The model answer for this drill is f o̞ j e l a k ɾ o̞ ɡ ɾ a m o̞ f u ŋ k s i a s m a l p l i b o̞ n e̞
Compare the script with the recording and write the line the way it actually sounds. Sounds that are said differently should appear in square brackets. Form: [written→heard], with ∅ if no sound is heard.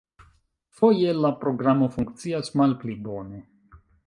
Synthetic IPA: f o̞ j e l a [k→p] ɾ o̞ ɡ ɾ a m o̞ f u ŋ k [s→t͡s] i a s m a l p l i b o̞ n e̞